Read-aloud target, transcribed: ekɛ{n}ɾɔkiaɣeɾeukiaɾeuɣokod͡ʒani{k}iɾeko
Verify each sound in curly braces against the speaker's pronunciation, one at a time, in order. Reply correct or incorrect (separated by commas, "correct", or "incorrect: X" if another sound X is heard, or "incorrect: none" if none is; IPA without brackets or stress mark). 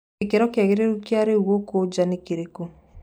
incorrect: none, correct